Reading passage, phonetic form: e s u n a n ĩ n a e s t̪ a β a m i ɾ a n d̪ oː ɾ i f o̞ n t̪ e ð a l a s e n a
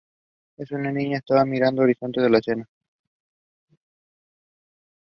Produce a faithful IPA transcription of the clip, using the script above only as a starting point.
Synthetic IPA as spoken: e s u n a n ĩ ɲ a e s t̪ a β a m i ɾ a n d̪ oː ɾ i s o̞ n t̪ e ð e l a s e n a

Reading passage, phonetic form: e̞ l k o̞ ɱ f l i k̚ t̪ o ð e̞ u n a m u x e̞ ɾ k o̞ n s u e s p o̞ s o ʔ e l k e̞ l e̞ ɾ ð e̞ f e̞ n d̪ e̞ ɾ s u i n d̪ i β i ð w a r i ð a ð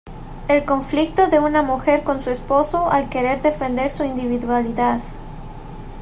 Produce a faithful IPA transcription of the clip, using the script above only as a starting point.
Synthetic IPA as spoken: e̞ l k o̞ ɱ f l i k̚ t̪ o ð e̞ u n a m u x e̞ ɾ k o̞ n s u e s p o̞ s o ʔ a l k e̞ ɾ e̞ ɾ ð e̞ f e̞ n d̪ e̞ ɾ s u i n d̪ i β i ð w a l i ð a ð

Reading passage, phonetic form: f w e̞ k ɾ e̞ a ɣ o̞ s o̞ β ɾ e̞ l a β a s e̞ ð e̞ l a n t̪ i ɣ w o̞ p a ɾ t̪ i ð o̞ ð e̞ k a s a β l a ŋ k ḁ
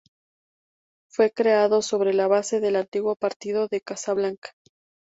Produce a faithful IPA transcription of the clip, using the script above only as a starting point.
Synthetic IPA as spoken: f w e̞ k ɾ e̞ a ð o̞ s o̞ β ɾ e̞ l a β a s e̞ ð e̞ l a n t̪ i ɣ w o̞ p a ɾ t̪ i ð o̞ ð e̞ k a s a β l a ŋ k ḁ

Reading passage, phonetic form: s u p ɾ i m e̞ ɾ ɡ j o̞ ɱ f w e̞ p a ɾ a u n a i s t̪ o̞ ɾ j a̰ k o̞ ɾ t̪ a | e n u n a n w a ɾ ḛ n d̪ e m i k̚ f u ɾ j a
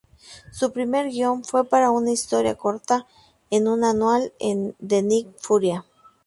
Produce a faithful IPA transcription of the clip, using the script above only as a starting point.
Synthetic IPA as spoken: s u p ɾ i m e̞ ɾ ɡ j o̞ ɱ f w e̞ p a ɾ a u n a i s t̪ o̞ ɾ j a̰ k o̞ ɾ t̪ a | e n u n a n w a l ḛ n d̪ e n i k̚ f u ɾ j a

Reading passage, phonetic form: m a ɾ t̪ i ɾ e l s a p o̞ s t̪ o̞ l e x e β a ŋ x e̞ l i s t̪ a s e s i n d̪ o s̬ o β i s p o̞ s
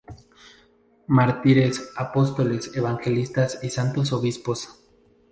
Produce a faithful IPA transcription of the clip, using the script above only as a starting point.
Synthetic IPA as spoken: m a ɾ t̪ i ɾ e s a p o̞ s t̪ o̞ l e s e β a ŋ x e̞ l i s t̪ a s i s a n t̪ o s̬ o β i s p o̞ s

